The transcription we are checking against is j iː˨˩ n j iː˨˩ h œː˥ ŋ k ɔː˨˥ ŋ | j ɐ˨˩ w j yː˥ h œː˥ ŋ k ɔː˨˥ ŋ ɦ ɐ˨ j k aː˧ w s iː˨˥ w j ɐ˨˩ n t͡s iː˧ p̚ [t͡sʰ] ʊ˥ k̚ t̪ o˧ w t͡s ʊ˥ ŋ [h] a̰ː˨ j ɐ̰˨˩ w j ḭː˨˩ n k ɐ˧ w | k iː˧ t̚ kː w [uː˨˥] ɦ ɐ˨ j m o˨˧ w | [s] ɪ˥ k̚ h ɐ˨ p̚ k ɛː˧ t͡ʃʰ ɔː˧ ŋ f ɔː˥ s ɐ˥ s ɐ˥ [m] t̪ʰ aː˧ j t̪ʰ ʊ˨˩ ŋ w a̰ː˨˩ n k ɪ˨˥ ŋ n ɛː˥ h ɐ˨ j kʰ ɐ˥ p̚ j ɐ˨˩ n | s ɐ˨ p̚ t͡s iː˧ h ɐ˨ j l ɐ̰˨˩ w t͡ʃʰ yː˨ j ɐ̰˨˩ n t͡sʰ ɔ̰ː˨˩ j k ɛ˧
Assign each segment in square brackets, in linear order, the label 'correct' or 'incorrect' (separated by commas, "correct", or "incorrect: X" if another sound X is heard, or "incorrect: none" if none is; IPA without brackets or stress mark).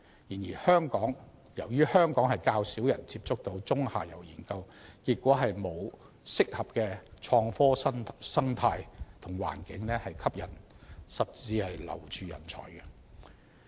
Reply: incorrect: t͡s, correct, incorrect: ɔː˨˥, correct, incorrect: ŋ